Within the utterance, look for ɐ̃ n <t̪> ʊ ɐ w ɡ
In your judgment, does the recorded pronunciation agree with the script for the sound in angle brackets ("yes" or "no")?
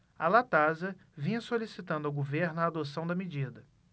no